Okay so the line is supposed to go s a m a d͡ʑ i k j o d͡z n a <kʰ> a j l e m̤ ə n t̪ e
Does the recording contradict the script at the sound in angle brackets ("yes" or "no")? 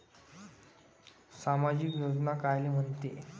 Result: yes